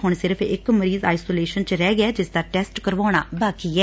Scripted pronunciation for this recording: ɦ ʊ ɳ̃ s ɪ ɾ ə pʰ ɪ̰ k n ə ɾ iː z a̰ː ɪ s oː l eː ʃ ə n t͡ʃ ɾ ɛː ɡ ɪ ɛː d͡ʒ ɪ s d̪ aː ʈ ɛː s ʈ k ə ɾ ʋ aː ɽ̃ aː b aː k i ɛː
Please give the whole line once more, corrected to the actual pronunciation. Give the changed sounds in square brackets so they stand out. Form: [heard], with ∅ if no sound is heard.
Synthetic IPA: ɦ ʊ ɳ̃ s ɪ ɾ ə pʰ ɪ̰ k [m] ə ɾ iː z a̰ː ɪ s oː l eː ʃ ə n t͡ʃ ɾ ɛː ɡ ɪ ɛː d͡ʒ ɪ s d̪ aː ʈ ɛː s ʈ k ə ɾ ʋ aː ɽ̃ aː b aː k i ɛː